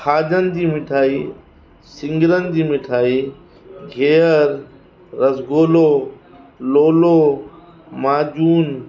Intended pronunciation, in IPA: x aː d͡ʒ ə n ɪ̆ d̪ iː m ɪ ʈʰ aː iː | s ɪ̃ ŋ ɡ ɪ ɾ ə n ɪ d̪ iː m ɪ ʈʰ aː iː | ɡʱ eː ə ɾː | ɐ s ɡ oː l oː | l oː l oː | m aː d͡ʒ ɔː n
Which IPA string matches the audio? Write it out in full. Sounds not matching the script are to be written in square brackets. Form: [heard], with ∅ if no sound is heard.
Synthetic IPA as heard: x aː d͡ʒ ə n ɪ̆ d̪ iː m ɪ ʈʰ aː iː | s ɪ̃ ŋ ɡ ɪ ɾ ə n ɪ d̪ iː m ɪ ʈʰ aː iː | ɡʱ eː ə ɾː | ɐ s ɡ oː l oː | l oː l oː | m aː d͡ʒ [uː] n